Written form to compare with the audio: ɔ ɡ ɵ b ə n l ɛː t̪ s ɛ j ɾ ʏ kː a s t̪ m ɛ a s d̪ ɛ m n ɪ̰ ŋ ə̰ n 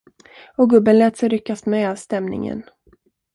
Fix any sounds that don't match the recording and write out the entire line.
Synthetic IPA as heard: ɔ ɡ ɵ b ə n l ɛː t̪ s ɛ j ɾ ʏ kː a s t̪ m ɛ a s t̪ ɛ m n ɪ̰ ŋ ə̰ n